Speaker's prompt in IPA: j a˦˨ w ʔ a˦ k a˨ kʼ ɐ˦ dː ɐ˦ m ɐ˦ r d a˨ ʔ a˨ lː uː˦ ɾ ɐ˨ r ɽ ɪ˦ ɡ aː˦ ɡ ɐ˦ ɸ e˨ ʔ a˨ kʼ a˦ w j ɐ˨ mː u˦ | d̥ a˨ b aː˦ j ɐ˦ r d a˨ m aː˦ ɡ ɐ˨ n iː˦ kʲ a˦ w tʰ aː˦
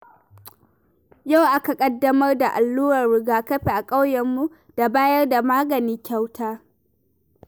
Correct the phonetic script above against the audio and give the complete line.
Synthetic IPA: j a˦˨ w ʔ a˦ k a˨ kʼ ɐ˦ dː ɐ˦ m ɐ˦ r d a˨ ʔ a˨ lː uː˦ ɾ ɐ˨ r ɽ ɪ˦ ɡ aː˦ k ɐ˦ ɸ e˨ ʔ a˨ kʼ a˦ w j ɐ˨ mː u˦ | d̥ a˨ b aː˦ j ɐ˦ r d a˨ m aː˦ ɡ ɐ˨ n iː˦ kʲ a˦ w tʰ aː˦